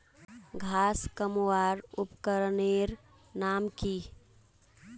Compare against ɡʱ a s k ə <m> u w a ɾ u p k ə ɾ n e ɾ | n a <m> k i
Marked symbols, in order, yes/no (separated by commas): yes, yes